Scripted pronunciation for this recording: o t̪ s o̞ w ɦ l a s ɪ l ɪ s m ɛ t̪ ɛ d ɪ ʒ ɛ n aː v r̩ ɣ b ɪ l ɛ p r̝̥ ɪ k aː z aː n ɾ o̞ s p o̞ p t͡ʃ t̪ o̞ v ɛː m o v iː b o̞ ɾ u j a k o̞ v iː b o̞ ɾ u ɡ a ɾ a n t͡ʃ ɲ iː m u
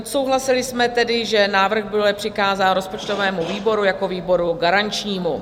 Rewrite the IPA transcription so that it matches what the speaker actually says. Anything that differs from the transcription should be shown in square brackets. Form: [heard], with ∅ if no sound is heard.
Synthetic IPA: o t̪ s o̞ w ɦ l a s ɪ l ɪ s m ɛ t̪ ɛ d ɪ ʒ ɛ n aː v r̩ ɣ b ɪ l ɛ p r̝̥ ɪ k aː z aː n ɾ o̞ s p o̞ [∅] t͡ʃ t̪ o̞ v ɛː m [u] v iː b o̞ ɾ u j a k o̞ v iː b o̞ ɾ u ɡ a ɾ a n t͡ʃ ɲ iː m u